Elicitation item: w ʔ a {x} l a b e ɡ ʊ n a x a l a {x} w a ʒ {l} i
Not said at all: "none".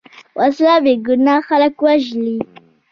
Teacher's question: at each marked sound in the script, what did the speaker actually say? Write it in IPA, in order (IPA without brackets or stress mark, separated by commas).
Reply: s, k, l